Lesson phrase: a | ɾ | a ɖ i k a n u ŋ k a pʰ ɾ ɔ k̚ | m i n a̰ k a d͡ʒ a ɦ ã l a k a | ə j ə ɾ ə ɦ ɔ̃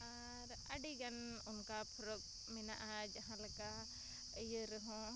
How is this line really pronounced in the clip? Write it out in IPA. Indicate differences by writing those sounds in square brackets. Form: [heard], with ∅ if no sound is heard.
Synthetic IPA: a | ɾ | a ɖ i [ɡ] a n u [n] k a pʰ ɾ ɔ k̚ | m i n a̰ [ʔ] a d͡ʒ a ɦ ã l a k a | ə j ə ɾ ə ɦ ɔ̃